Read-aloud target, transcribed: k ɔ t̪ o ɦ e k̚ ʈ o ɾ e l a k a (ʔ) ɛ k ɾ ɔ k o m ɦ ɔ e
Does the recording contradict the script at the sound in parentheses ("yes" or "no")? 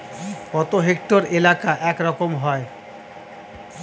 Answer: no